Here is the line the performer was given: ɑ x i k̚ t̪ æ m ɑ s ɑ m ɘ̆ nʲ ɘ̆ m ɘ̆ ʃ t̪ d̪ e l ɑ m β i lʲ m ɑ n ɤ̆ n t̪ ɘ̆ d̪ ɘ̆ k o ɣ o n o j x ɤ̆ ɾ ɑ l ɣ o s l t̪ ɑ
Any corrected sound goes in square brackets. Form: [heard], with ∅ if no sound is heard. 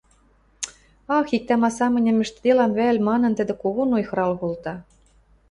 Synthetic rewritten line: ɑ x i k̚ t̪ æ m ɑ s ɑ m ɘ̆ nʲ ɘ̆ m ɘ̆ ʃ t̪ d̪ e l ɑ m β [æ] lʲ m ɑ n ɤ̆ n t̪ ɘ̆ d̪ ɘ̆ k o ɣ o n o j x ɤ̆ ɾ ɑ l ɣ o [∅] l t̪ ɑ